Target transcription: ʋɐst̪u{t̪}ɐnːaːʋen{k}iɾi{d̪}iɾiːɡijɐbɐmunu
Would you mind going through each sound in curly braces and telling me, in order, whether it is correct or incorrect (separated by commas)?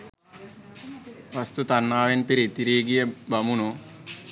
correct, incorrect, incorrect